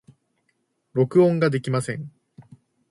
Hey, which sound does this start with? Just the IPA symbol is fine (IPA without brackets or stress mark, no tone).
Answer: ɾ